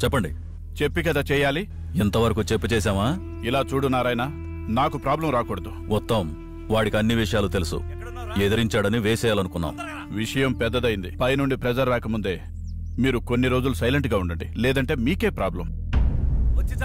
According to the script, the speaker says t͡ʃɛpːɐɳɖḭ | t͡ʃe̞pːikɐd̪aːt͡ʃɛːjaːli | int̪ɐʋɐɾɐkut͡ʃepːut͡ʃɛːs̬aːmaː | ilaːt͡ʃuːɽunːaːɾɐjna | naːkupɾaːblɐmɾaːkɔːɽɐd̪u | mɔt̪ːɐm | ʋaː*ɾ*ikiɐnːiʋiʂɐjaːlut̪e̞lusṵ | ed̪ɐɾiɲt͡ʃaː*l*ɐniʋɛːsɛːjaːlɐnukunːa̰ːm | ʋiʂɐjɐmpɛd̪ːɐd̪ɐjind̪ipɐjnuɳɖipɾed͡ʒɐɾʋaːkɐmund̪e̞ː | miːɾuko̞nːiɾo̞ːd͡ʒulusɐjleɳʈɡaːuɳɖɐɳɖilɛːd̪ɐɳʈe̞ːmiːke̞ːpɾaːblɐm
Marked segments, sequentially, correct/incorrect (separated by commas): incorrect, incorrect